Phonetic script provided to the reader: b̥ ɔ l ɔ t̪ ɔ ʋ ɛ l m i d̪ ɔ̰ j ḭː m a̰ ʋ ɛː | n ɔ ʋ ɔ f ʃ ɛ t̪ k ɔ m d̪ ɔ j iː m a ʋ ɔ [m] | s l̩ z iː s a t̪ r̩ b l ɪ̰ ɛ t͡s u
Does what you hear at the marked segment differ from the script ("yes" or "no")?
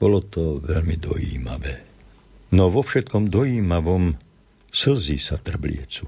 no